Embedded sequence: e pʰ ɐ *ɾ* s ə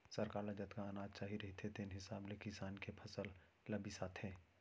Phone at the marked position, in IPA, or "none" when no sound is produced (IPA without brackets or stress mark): none